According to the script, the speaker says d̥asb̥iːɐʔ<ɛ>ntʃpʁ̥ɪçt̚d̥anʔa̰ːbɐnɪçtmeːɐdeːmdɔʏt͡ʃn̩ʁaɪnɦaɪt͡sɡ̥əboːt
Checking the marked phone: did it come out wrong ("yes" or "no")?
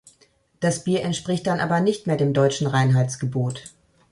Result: no